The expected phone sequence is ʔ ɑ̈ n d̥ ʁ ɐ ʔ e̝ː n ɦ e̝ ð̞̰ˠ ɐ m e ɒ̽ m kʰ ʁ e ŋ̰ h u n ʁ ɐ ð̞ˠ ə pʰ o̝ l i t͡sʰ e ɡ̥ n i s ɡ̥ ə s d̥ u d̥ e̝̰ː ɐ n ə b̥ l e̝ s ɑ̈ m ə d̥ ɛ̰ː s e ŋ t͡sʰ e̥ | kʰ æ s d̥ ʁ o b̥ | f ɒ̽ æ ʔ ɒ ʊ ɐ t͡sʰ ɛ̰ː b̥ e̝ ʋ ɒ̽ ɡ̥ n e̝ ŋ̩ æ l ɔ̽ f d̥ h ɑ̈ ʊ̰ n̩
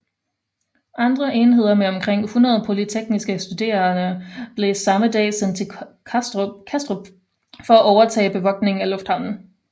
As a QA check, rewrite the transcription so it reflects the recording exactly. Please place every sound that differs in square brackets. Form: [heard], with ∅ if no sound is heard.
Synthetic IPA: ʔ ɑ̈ n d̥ ʁ ɐ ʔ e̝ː n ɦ e̝ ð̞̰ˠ ɐ m e ɒ̽ m kʰ ʁ e ŋ̰ h u n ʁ ɐ ð̞ˠ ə pʰ o̝ l i t͡sʰ e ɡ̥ n i s ɡ̥ ə s d̥ u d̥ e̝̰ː ɐ n ə b̥ l e̝ s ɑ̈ m ə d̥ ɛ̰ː s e [n] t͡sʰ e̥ | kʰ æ s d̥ ʁ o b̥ | f ɒ̽ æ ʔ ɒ ʊ ɐ t͡sʰ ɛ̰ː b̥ e̝ ʋ ɒ̽ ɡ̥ n e̝ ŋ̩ æ l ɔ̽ f d̥ h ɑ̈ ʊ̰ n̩